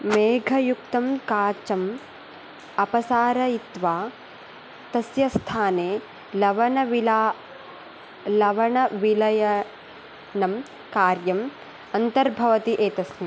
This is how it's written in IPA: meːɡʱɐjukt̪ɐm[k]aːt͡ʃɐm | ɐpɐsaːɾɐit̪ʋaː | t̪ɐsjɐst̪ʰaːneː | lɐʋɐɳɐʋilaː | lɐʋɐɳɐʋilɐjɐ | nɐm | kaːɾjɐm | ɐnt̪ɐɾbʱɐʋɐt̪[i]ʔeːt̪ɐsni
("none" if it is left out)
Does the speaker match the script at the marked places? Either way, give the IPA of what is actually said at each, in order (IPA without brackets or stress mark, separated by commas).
k, i